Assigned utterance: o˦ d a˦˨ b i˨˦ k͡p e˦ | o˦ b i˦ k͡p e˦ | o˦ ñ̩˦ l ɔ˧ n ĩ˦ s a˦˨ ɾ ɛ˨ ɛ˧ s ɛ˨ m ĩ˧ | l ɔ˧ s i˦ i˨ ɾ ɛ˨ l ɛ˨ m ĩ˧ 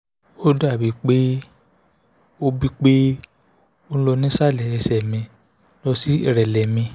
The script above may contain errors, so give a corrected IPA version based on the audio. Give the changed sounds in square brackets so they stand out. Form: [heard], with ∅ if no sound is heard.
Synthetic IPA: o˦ d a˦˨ b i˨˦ k͡p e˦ | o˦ b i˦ k͡p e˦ | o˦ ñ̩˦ l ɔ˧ n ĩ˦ s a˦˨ [l] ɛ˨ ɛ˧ s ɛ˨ m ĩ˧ | l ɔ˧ s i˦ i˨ ɾ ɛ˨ l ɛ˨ m ĩ˧